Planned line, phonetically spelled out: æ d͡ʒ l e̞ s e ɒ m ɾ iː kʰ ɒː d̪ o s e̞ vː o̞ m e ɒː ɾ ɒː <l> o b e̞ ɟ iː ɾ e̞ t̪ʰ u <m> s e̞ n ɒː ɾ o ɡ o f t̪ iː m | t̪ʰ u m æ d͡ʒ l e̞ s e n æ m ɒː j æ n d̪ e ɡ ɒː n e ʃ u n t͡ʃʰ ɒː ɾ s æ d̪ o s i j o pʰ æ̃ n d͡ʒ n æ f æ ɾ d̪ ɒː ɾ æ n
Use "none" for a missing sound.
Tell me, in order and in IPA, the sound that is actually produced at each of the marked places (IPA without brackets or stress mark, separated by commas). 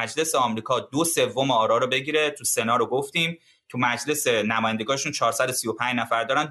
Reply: ɾ, none